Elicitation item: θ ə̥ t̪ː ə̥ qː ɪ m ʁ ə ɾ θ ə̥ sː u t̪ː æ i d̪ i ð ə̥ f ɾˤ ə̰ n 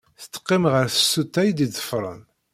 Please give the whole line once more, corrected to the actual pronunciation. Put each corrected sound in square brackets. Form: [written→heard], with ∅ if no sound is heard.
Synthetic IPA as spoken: θ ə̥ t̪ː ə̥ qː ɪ m ʁ ə ɾ θ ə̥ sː u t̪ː æ [i→j] d̪ i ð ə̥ f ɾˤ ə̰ n